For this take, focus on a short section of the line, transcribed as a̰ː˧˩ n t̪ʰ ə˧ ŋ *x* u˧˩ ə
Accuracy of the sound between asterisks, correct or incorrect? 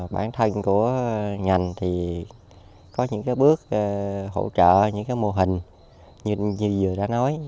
incorrect